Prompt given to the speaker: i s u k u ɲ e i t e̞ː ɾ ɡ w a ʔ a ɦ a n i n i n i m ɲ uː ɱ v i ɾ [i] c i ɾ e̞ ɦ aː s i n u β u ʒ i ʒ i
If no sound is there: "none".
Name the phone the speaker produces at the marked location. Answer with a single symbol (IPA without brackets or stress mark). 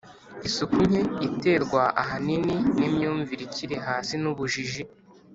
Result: i